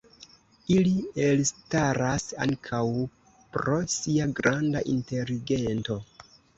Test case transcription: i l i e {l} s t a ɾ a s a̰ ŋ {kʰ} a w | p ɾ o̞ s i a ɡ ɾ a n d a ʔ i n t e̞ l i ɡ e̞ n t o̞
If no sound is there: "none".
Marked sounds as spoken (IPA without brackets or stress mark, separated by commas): l, kʰ